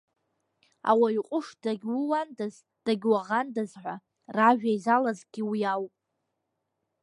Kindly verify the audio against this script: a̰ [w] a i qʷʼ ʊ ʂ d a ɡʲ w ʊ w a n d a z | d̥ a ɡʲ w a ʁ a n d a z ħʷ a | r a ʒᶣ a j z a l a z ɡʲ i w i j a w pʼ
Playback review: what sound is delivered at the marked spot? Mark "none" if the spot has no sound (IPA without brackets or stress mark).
w